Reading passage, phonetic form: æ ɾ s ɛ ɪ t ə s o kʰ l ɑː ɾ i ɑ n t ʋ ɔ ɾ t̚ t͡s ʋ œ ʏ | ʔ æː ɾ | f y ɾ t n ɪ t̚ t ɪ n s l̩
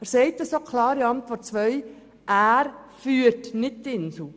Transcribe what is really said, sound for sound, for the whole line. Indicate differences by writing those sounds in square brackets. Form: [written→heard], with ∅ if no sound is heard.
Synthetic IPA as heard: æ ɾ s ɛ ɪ t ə s o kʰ l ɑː ɾ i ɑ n t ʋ ɔ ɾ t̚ t͡s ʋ œ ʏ | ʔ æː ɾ | f [y→yː] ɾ t n ɪ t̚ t ɪ n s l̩

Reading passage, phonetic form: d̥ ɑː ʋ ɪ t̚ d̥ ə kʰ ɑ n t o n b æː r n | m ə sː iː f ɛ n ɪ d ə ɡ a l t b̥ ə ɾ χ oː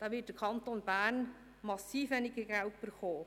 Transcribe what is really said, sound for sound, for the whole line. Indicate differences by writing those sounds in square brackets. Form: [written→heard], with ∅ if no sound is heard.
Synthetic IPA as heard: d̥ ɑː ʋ ɪ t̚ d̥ ə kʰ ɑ n t o n b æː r n | m [ə→ɑ] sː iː f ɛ n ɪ [d→ɡ] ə ɡ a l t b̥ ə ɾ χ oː

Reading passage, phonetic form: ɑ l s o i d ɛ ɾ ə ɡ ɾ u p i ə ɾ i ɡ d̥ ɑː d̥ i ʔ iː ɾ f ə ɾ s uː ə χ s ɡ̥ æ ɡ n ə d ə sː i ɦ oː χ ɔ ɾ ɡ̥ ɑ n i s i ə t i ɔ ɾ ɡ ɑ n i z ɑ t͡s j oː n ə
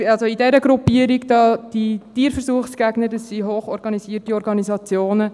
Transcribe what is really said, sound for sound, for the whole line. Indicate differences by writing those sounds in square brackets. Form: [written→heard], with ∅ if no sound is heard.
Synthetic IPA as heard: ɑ l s o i d ɛ ɾ ə ɡ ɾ u p i ə ɾ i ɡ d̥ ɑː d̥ i [ʔ→t] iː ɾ f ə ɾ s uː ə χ s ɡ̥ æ ɡ n ə d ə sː i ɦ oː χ ɔ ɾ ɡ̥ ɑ n i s i ə t i ɔ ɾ ɡ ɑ n i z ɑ t͡s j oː n ə

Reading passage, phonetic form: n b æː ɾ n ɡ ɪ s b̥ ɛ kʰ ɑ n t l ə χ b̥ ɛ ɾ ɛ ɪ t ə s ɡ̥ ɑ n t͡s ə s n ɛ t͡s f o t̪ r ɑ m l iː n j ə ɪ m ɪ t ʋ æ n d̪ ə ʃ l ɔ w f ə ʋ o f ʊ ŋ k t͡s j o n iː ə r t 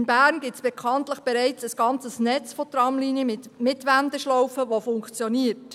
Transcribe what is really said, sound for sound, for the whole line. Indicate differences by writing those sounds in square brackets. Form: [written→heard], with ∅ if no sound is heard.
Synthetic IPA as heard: n b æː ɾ n ɡ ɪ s b̥ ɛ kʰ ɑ n t l ə χ b̥ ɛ ɾ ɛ ɪ [t→t͡s] ə s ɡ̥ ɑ n t͡s ə s n ɛ t͡s f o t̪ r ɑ m l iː n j ə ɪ m ɪ t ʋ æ n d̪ ə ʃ l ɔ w f ə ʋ o f ʊ ŋ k t͡s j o n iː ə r t

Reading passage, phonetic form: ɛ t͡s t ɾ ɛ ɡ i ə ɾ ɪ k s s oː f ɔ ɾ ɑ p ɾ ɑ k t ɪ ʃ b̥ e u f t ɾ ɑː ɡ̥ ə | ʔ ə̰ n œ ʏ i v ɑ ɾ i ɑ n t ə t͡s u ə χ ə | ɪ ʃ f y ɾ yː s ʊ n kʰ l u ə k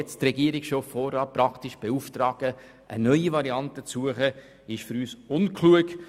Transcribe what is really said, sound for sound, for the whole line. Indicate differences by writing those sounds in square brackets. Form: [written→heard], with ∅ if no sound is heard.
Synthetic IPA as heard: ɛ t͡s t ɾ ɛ ɡ i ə ɾ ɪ k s [s→ʃ] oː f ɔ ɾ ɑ p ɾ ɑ k t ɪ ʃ b̥ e u f t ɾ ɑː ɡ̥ ə | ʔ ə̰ n œ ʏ i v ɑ ɾ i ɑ n t ə t͡s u ə χ ə | ɪ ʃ f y ɾ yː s ʊ n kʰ l u ə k

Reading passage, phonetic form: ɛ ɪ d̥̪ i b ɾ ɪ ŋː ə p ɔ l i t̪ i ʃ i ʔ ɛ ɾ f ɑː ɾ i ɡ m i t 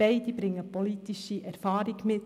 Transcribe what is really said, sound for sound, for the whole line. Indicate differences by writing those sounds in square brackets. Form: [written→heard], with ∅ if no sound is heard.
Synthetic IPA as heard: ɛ ɪ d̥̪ i b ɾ ɪ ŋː ə p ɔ l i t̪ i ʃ i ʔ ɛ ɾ f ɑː ɾ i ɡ m [i→ɪ] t

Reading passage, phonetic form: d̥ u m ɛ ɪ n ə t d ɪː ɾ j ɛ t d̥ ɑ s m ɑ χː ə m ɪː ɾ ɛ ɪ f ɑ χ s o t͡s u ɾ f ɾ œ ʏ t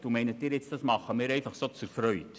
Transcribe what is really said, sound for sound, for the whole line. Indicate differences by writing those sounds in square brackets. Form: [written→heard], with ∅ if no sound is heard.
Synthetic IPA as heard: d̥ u m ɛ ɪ n ə t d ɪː ɾ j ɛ [t→t͡s] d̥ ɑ s m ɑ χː ə m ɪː ɾ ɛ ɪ f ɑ χ s o t͡s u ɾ f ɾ œ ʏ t

